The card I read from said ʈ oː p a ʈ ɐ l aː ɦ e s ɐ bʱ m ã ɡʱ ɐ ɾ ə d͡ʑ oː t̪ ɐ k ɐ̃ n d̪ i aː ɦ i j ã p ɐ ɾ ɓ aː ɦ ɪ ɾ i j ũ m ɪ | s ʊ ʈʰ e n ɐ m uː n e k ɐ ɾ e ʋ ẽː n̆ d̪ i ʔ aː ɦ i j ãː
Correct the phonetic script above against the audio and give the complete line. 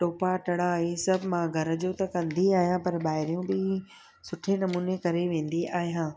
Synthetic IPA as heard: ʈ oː p a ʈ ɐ ɽ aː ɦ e s ɐ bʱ m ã ɡʱ ɐ ɾ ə d͡ʑ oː t̪ ɐ k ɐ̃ n d̪ i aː ɦ i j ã p ɐ ɾ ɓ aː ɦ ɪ ɾ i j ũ b ɪ | s ʊ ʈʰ e n ɐ m uː n e k ɐ ɾ e ʋ ẽː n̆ d̪ i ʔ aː ɦ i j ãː